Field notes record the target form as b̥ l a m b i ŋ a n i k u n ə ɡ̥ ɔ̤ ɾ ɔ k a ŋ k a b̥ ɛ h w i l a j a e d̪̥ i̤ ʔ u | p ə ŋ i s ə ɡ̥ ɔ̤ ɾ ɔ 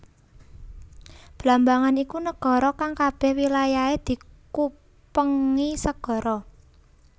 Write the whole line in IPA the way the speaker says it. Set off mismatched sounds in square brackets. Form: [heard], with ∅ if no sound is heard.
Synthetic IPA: b̥ l a m b [a] ŋ a n i k u n ə ɡ̥ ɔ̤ ɾ ɔ k a ŋ k a b̥ ɛ h w i l a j a e d̪̥ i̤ [k] u | p ə ŋ i s ə ɡ̥ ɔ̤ ɾ ɔ

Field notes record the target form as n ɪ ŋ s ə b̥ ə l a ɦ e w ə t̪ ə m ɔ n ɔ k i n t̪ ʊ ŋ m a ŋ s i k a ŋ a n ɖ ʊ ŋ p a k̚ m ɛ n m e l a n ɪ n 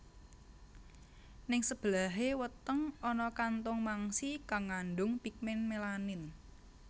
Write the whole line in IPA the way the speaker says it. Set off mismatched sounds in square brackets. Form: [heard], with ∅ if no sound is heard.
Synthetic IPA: n ɪ ŋ s ə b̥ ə l a ɦ e w ə t̪ ə [ŋ] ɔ n ɔ k [a] n t̪ ʊ ŋ m a ŋ s i k a ŋ a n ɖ ʊ ŋ p [i] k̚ m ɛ n m e l a n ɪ n

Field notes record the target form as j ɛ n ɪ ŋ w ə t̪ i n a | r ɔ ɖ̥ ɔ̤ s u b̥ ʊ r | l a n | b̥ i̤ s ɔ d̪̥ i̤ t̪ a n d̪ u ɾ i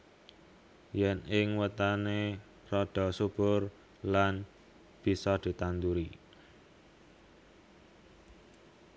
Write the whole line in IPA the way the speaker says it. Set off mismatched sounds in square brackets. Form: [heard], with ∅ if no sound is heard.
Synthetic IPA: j ɛ n ɪ ŋ w ə t̪ [a] n [e] | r ɔ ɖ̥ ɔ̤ s u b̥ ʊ r | l a n | b̥ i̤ s ɔ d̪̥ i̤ t̪ a n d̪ u ɾ i

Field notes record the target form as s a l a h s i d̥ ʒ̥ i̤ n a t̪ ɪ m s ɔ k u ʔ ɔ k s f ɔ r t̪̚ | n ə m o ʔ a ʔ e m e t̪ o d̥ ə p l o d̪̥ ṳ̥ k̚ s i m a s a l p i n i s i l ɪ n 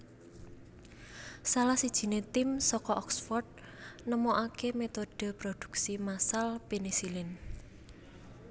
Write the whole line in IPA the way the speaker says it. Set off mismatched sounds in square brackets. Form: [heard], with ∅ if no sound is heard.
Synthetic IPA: s a l a h s i d̥ ʒ̥ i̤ n [e] t̪ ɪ m s ɔ k [ɔ] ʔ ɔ k s f ɔ r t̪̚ | n ə m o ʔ a [k] e m e t̪ o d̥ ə p [ɾ] o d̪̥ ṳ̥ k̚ s i m a s a l p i n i s i l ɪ n

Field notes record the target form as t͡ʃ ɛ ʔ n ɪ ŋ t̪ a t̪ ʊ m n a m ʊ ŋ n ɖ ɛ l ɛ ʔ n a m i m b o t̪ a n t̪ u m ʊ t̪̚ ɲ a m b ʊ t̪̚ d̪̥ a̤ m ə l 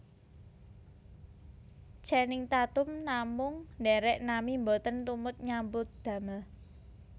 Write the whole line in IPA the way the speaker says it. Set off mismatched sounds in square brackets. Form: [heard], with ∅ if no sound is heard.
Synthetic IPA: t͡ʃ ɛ [∅] n ɪ ŋ t̪ a t̪ ʊ m n a m ʊ ŋ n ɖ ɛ [ɾ] ɛ ʔ n a m i m b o t̪ [ə] n t̪ u m ʊ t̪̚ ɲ a m b ʊ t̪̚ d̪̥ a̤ m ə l

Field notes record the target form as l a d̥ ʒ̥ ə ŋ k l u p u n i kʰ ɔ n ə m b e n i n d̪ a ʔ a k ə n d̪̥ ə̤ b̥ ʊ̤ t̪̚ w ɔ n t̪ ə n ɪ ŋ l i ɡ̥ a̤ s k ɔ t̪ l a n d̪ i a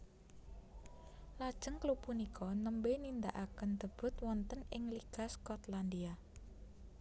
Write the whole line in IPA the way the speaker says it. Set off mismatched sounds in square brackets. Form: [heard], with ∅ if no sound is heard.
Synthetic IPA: l a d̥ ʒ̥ ə ŋ k l u p u n i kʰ ɔ n ə m b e n i n d̪ a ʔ a k ə n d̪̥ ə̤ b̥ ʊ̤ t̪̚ w ɔ n t̪ ə n ɪ ŋ l i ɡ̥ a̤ s k ɔ t̪ l a n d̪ i a

